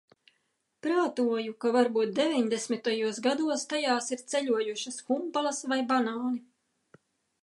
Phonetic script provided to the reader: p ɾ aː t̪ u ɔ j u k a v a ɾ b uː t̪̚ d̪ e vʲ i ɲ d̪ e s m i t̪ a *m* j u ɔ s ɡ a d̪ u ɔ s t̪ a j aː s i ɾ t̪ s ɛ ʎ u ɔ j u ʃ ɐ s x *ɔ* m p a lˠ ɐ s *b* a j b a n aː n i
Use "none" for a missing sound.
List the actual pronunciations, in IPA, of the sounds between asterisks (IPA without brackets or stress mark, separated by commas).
none, u, v